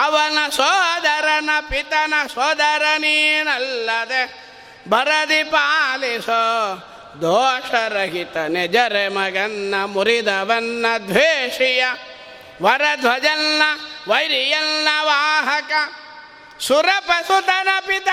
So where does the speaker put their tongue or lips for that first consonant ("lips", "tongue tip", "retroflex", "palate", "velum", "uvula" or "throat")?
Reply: lips